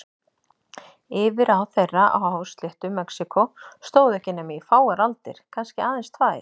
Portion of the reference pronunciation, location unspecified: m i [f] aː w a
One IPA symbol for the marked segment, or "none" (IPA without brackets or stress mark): f